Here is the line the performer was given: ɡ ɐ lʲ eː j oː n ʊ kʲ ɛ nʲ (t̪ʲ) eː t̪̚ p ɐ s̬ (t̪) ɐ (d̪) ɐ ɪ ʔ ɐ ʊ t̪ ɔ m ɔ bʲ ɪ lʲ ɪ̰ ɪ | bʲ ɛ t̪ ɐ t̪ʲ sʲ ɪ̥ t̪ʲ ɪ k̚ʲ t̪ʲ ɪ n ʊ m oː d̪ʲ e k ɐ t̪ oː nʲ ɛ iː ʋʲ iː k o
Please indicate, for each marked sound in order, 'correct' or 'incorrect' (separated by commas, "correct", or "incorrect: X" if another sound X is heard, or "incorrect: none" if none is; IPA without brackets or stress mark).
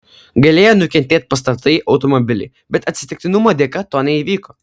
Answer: correct, correct, incorrect: t̪